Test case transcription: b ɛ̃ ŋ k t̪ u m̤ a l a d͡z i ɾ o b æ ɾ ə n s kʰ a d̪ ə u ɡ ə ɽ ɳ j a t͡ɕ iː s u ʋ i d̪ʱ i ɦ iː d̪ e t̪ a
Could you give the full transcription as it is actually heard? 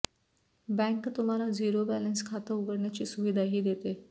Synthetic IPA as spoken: b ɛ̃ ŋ k t̪ u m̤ a l a d͡z i ɾ o b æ l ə n s kʰ a t̪ ə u ɡ ə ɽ ɳ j a t͡ɕ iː s u ʋ i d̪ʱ a ɦ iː d̪ e t̪ e

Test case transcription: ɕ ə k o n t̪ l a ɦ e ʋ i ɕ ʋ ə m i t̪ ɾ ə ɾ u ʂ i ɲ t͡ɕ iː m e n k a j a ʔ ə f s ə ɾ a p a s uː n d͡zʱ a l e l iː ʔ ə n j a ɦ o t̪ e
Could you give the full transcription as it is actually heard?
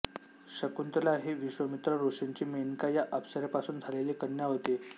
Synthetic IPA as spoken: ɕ ə k u n t̪ l a ɦ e ʋ i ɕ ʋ ə m i t̪ ɾ ə ɾ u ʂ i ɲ t͡ɕ iː m e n k a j a ʔ ə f s ə ɾ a p a s uː n d͡zʱ a l e l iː k ə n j a ɦ o t̪ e

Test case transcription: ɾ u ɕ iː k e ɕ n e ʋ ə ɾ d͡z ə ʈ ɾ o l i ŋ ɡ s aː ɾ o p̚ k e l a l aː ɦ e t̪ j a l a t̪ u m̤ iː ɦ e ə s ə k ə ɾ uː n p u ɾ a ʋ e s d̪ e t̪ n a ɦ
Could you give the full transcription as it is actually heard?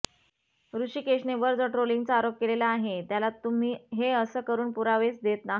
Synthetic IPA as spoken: ɾ u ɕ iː k e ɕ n e ʋ ə ɾ d͡z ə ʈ ɾ o l i ŋ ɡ t͡s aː ɾ o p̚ k e l e l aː ɦ e t̪ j a l a t̪ u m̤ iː ɦ e ə s ə k ə ɾ uː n p u ɾ a ʋ e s d̪ e t̪ n a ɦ

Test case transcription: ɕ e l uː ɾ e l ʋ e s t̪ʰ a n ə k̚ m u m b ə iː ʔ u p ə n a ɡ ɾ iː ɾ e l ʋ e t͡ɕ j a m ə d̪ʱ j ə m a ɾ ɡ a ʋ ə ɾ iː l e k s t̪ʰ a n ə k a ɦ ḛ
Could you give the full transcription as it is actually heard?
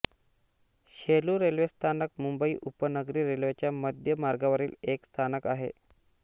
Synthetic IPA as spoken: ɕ e l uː ɾ e l ʋ e s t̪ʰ a n ə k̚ m u m b ə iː ʔ u p ə n ə ɡ ɾ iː ɾ e l ʋ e t͡ɕ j a m ə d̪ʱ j ə m a ɾ ɡ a ʋ ə ɾ iː l e k s t̪ʰ a n ə k a ɦ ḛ

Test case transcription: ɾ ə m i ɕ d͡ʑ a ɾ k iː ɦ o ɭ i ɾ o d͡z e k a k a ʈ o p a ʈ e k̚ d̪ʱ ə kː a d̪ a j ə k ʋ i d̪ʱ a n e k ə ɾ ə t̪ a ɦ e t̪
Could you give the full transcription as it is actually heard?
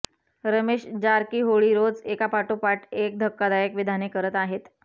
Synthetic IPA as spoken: ɾ ə m e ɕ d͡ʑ a ɾ k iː ɦ o ɭ i ɾ o d͡z e k a p a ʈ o p a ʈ e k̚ d̪ʱ ə kː a d̪ a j ə k ʋ i d̪ʱ a n e k ə ɾ ə t̪ a ɦ e t̪

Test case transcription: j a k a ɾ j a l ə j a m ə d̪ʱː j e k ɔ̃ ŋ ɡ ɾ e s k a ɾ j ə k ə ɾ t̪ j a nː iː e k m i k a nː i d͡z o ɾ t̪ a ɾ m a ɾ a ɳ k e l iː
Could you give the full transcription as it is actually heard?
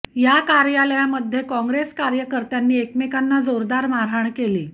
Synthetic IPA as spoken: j a k a ɾ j a l ə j a m ə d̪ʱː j e k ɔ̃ ŋ ɡ ɾ e s k a ɾ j ə k ə ɾ t̪ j a nː iː e k m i k a nː a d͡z o ɾ d̪ a ɾ m a ɾ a ɳ k e l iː

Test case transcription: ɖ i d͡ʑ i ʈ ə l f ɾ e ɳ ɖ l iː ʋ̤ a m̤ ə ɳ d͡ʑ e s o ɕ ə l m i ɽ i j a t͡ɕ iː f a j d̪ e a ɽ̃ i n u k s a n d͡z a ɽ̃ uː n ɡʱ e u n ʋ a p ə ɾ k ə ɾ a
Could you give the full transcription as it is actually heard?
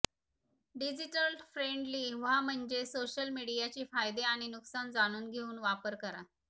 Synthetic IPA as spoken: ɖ i d͡ʑ i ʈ ə l f ɾ e ɳ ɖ l iː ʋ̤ a m̤ ə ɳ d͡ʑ e s o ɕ ə l m i ɽ i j a t͡ɕ iː f a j d̪ e a ɽ̃ i n u k s a n d͡z a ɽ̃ uː n ɡʱ e uː n ʋ a p ə ɾ k ə ɾ a

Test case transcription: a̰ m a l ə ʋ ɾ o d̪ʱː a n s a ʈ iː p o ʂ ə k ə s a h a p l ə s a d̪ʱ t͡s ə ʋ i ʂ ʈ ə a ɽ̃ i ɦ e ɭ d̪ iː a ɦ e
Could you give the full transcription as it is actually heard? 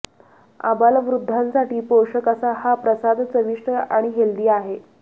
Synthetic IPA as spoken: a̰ b a l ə ʋ ɾ u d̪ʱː a n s a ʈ iː p o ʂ ə k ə s a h a p ɾ ə s a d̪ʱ t͡s ə ʋ i ʂ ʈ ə a ɽ̃ i ɦ e l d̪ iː a ɦ e

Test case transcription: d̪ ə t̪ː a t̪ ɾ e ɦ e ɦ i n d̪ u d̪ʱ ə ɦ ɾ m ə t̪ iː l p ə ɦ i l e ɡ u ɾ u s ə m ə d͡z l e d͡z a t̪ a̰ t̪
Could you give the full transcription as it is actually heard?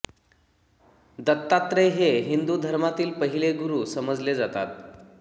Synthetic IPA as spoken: d̪ ə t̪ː a t̪ ɾ e ɦ e ɦ i n d̪ u d̪ʱ ə ɾ m a t̪ iː l p ə ɦ i l e ɡ u ɾ u s ə m ə d͡z l e d͡z a t̪ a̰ t̪

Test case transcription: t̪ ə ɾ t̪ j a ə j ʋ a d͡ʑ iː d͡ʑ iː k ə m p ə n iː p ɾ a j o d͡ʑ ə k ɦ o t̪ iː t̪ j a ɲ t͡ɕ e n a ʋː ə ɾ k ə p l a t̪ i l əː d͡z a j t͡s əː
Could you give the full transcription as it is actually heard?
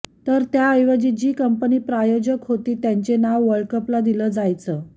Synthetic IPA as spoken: t̪ ə ɾ t̪ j a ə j ʋ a d͡ʑ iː d͡ʑ iː k ə m p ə n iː p ɾ a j o d͡ʑ ə k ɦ o t̪ iː t̪ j a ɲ t͡ɕ e n a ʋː ə ɭ k ə p l a d̪ i l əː d͡z a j t͡s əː

